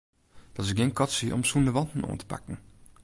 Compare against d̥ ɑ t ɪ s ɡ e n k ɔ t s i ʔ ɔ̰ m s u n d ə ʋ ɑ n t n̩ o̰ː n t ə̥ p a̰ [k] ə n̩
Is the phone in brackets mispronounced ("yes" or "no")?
no